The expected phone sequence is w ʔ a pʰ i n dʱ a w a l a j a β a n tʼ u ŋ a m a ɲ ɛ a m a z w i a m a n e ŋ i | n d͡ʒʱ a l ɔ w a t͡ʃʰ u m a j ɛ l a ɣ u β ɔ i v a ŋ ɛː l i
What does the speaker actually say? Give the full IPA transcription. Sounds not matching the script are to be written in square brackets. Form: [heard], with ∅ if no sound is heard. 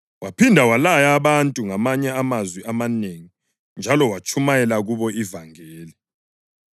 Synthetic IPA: w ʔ a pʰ i n dʱ a w a l a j a β a n tʼ u ŋ a m a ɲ ɛ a m a z w i a m a n e ŋ i | n d͡ʒʱ a l ɔ w a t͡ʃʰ u m a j ɛ l a ɣ u β ɔ i v a ŋ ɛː l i